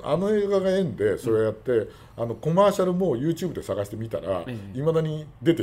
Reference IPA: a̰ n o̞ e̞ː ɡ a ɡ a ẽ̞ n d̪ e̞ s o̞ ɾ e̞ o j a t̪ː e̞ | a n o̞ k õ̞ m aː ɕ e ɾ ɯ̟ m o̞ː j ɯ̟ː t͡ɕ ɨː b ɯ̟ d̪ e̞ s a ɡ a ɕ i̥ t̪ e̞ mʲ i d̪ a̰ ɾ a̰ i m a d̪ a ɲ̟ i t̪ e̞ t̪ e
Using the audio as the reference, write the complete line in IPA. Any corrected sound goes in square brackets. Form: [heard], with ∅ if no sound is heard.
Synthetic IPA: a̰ n o̞ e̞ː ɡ a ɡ a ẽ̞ n d̪ e̞ s o̞ ɾ e̞ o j a t̪ː e̞ | a n o̞ k [o̞] m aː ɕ [a] ɾ ɯ̟ m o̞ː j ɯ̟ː t͡ɕ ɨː b ɯ̟ d̪ e̞ s a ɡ a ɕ i̥ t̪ e̞ mʲ i [t̪] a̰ ɾ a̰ i m a d̪ a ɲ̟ i [d̪] e̞ t̪ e